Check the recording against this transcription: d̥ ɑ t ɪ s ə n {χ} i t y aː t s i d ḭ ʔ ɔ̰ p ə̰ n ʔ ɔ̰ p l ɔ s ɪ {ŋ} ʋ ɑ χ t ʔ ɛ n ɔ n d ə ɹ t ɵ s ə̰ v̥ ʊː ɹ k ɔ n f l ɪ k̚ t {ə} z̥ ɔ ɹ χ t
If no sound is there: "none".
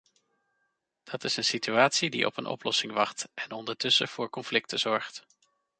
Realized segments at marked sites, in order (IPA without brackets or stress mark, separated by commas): s, ŋ, ə